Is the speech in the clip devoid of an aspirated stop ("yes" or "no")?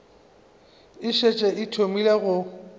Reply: no